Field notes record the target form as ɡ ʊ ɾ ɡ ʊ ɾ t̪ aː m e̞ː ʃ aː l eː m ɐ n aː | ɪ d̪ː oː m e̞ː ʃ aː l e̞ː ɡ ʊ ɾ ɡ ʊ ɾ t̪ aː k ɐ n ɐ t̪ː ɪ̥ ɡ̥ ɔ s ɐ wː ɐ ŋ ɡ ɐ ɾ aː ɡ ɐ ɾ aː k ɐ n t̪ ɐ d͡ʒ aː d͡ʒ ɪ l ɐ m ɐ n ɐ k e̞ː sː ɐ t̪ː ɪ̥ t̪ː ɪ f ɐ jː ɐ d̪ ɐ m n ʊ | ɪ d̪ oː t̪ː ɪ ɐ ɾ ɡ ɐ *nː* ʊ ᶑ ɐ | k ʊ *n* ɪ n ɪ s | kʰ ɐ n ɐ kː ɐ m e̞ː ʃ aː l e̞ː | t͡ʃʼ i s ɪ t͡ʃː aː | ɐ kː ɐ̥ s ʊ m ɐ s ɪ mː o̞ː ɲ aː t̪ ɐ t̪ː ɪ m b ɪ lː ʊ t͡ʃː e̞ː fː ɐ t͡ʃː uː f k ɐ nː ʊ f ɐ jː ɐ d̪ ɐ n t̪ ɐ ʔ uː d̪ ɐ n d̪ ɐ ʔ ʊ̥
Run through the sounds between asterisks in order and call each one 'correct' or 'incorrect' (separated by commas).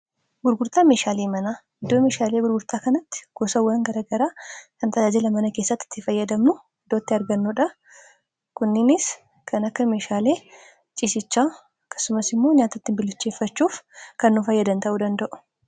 correct, incorrect